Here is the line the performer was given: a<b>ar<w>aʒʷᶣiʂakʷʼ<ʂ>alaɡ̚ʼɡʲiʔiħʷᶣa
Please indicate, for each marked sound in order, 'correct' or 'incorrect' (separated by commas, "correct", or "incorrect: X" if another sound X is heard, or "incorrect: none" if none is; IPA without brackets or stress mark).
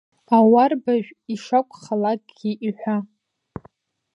incorrect: w, incorrect: b, incorrect: χ